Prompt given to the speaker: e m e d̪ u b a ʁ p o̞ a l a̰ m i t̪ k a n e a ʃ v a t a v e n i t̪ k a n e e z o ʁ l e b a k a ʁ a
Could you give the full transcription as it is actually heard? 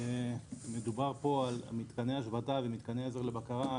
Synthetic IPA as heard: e m e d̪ u b a ʁ p o̞ a l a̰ m i t̪ k a n e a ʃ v a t a v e m i t̪ k a n e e z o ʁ l e b a k a ʁ a